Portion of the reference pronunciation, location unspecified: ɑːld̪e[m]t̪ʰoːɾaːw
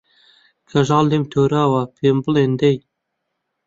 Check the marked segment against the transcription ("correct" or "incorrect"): correct